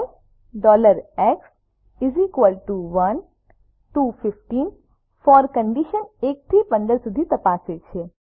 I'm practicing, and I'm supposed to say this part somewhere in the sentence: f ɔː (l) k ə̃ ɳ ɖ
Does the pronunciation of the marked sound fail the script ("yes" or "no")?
yes